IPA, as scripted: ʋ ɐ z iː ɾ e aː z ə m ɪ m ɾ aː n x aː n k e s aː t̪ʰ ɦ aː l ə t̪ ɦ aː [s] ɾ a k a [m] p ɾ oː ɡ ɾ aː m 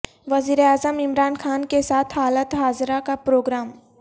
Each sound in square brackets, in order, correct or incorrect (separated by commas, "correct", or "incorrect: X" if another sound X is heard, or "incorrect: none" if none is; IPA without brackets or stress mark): incorrect: z, incorrect: none